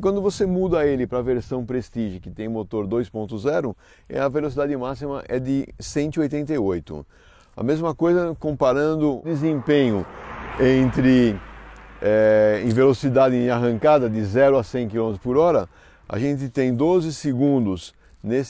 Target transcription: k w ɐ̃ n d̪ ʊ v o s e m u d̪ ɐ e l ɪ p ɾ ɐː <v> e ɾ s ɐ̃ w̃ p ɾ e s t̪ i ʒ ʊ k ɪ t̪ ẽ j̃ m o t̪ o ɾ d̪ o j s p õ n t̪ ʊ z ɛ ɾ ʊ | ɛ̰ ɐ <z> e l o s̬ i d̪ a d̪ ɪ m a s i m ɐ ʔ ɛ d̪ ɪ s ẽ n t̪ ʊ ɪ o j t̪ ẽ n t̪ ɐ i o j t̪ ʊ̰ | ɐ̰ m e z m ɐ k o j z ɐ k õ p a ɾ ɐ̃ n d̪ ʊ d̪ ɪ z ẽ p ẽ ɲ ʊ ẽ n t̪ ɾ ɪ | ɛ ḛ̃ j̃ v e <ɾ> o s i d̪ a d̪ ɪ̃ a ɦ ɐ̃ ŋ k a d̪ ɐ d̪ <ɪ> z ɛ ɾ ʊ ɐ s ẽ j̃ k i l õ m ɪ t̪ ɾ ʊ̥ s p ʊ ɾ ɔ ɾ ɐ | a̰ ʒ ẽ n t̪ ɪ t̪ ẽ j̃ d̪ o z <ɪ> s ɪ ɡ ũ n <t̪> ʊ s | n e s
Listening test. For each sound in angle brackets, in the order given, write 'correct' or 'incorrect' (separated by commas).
correct, incorrect, incorrect, correct, correct, incorrect